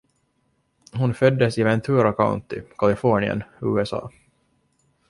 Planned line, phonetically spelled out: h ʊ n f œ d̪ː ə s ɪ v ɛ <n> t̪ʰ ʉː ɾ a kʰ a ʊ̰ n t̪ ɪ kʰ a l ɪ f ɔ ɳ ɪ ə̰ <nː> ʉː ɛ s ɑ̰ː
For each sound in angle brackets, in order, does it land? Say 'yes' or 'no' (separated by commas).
yes, no